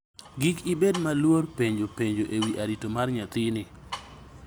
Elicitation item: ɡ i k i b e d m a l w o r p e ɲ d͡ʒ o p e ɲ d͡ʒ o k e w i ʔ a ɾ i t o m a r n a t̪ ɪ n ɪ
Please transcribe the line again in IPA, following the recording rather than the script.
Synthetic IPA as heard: ɡ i k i b e d m a l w o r p e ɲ d͡ʒ o p e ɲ d͡ʒ o ʔ e w i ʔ a ɾ i t o m a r ɲ a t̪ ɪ n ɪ